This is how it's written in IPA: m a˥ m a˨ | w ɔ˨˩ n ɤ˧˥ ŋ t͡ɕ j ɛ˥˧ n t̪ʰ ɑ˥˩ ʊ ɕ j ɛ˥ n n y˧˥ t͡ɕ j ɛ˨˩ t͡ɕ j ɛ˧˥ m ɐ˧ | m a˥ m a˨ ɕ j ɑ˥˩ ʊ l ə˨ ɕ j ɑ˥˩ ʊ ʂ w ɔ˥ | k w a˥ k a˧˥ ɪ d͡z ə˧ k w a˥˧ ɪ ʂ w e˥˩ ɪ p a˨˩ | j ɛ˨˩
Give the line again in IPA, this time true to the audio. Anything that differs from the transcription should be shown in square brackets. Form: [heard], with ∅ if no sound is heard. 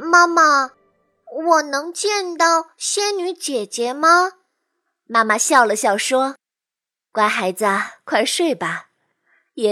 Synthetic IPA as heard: m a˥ m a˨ | w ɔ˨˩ n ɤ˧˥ ŋ t͡ɕ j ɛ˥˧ n [t̪] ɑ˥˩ ʊ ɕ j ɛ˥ n n y˧˥ t͡ɕ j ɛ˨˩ t͡ɕ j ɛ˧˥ m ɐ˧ | m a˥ m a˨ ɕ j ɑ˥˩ ʊ l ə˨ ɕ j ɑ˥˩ ʊ ʂ w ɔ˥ | k w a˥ [x] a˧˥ ɪ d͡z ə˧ [kʰ] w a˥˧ ɪ ʂ w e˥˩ ɪ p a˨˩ | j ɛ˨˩